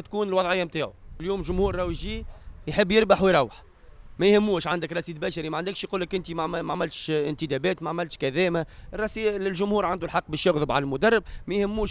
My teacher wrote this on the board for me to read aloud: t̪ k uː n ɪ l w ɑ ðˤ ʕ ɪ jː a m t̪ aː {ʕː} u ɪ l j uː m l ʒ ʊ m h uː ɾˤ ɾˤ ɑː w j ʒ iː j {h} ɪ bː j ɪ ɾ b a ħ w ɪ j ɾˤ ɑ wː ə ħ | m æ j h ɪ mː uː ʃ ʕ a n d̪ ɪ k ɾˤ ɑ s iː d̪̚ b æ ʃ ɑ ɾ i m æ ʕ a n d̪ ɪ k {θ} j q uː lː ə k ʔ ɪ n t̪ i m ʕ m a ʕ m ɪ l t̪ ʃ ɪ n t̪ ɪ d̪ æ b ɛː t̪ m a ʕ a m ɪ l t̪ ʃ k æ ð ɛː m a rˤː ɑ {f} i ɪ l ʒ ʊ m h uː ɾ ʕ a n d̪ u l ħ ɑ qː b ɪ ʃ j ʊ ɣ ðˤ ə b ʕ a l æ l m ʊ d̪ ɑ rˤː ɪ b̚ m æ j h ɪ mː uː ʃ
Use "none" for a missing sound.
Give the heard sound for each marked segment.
ʕ, ħ, ʃ, s

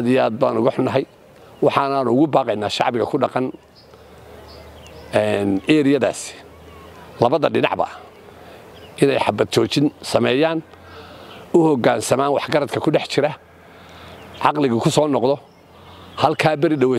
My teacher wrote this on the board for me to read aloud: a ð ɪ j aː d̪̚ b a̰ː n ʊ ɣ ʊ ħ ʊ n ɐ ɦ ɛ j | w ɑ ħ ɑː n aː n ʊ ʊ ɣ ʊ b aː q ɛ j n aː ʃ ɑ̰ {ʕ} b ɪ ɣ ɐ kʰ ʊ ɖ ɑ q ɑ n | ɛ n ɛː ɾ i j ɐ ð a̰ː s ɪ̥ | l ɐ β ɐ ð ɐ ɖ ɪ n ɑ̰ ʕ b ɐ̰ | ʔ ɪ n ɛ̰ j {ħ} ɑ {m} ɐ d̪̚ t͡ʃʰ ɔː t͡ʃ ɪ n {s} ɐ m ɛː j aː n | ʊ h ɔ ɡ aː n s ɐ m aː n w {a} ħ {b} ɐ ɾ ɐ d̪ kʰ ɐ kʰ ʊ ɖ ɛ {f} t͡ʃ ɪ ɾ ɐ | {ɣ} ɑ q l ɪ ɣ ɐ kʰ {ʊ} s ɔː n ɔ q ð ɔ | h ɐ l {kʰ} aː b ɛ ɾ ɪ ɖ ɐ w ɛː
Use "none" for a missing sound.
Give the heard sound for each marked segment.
ʕ, ħ, b, s, ɑ, ɡ, ħ, ʕ, ʊ, kʰ

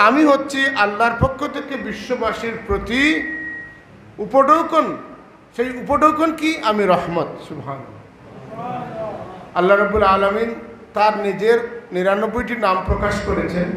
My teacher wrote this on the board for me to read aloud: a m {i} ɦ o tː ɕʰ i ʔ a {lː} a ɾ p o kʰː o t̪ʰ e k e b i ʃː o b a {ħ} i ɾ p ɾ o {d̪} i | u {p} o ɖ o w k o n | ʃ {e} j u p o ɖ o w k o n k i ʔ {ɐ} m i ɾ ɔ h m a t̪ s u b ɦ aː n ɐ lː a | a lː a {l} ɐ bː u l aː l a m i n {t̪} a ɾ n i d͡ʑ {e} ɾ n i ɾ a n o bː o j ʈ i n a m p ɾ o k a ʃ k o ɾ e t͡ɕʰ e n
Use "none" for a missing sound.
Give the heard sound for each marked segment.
i, lː, ʃ, t̪, p, e, a, ɾ, t̪, e

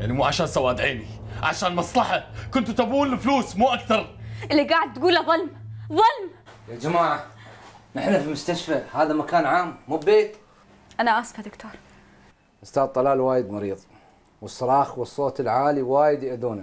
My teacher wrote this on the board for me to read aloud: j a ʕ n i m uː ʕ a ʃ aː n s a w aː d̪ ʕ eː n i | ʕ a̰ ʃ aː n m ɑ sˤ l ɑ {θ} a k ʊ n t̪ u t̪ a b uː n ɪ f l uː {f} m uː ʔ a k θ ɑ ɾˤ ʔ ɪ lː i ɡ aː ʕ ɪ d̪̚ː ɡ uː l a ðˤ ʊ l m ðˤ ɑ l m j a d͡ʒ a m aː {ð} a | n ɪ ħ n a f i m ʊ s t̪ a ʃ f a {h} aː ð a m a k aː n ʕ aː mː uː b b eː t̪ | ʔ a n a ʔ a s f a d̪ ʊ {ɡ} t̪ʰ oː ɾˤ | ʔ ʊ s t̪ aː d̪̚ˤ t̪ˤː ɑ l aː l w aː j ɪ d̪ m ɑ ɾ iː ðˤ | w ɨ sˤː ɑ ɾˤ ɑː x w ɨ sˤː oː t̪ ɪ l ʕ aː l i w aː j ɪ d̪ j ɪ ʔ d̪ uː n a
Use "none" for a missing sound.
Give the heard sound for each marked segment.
ħ, s, ʕ, h, k

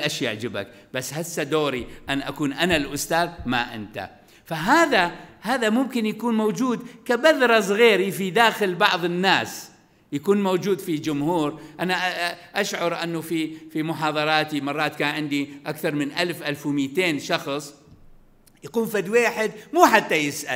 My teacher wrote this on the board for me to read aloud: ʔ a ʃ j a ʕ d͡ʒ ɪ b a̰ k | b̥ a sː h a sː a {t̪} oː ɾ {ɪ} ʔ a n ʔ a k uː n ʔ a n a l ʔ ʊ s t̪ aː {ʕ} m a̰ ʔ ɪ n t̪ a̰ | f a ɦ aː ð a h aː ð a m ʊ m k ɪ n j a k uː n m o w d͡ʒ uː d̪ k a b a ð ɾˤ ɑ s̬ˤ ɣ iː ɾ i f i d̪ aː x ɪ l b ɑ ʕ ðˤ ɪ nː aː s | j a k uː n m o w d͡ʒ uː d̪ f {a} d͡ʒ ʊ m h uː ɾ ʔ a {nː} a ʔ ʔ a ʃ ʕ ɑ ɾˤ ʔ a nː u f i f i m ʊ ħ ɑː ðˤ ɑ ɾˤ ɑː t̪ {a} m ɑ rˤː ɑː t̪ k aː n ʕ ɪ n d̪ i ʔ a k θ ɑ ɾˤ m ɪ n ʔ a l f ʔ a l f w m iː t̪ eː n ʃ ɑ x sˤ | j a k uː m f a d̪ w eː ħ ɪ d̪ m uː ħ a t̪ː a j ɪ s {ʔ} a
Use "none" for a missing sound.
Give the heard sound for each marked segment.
d̪, i, ð, i, n, i, ʔ

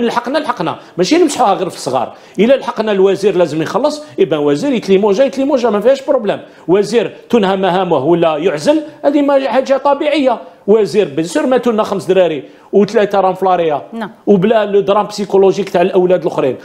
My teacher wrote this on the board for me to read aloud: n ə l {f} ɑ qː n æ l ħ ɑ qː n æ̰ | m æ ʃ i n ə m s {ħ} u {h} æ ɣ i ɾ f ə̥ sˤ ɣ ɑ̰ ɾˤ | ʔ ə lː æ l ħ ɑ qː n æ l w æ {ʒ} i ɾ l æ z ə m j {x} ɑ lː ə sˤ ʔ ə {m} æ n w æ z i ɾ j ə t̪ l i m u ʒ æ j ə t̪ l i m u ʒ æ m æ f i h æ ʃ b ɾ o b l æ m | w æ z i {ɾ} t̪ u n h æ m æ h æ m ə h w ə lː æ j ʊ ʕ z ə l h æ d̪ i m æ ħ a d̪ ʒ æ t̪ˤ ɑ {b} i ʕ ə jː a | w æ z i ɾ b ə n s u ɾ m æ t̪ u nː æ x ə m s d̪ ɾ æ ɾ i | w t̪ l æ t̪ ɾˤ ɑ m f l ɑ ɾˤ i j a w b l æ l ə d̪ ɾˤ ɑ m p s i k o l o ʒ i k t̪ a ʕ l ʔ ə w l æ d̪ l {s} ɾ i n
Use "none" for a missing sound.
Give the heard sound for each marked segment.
ħ, ħ, h, z, x, b, ɾ, b, x

